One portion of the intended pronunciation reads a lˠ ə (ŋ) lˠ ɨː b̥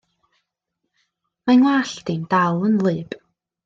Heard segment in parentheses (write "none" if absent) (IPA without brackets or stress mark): n